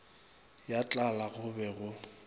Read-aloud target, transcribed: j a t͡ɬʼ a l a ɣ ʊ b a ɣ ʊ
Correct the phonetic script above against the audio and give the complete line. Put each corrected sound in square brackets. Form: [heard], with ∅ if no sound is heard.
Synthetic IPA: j a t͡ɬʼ a l a ɣ ʊ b [ɛ] ɣ ʊ